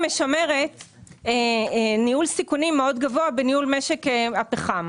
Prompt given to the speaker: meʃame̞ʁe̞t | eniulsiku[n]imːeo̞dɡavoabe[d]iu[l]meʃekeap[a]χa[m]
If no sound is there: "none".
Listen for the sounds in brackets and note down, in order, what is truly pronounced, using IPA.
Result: n, n, l, e, m

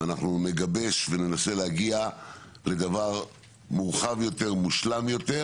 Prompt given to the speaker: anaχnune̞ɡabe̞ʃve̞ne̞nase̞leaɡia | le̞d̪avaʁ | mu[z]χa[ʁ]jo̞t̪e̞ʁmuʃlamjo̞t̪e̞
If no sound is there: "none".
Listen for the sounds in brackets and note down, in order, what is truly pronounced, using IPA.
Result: ʁ, v

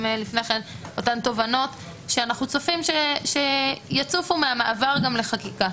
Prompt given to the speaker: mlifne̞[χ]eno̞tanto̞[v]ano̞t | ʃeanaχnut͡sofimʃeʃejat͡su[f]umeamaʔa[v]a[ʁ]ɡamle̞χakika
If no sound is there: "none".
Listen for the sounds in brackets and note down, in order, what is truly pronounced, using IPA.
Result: χ, v, f, v, ʁ

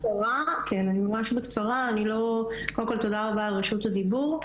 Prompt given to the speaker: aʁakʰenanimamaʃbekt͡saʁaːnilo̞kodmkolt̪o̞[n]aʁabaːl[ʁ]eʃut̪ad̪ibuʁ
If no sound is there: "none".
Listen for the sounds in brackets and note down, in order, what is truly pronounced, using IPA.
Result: d, ʁ

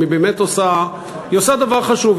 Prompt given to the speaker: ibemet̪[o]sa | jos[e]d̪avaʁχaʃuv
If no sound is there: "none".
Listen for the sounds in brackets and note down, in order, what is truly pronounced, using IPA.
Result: o, a

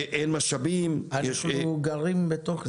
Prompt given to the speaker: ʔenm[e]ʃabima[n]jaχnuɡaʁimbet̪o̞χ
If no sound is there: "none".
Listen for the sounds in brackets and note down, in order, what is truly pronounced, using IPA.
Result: a, n

